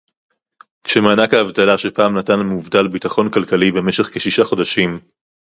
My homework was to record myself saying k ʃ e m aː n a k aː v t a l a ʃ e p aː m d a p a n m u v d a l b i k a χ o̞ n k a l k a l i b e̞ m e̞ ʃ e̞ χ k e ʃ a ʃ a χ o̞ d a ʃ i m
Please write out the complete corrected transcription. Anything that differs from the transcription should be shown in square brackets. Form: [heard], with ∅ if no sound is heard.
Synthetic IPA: k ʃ e m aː n a k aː v t a l a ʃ e p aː m [n] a [t] a n m u v d a l b i [t] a χ o̞ n k a l k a l i b e̞ m e̞ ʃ e̞ χ k e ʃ [i] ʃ a χ o̞ d a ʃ i m